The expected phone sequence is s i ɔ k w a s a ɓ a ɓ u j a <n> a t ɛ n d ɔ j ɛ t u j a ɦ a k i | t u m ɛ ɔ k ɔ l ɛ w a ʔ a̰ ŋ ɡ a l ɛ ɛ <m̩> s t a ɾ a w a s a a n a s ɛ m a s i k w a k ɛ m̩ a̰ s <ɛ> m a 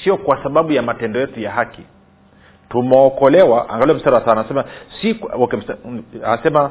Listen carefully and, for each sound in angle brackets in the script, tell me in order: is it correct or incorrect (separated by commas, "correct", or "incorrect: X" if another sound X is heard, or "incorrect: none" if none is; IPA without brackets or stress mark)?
incorrect: m, correct, correct